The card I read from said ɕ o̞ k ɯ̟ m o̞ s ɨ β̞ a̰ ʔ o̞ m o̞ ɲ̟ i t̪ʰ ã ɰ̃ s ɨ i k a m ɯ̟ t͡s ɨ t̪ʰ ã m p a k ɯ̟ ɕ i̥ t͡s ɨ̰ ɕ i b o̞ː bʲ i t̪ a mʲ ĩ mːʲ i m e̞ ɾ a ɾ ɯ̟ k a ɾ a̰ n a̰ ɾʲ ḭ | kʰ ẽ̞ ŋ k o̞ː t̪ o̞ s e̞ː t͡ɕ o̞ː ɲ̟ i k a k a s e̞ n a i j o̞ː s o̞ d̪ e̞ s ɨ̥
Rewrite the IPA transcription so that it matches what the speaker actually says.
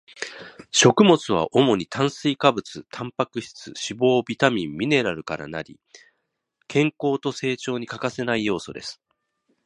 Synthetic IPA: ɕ o̞ k ɯ̟ m o̞ t͡s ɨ β̞ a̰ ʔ o̞ m o̞ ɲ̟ i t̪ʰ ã ɰ̃ s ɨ i k a b ɯ̟ t͡s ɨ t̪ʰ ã m p a k ɯ̟ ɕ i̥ t͡s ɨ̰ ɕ i b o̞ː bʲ i t̪ a mʲ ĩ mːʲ i n e̞ ɾ a ɾ ɯ̟ k a ɾ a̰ n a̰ ɾʲ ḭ | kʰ ẽ̞ ŋ k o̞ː t̪ o̞ s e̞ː t͡ɕ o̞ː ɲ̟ i k a k a s e̞ n a i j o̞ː s o̞ d̪ e̞ s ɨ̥